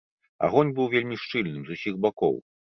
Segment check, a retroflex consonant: present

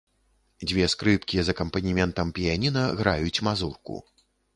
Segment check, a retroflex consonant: absent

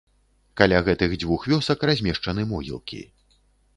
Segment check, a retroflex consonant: present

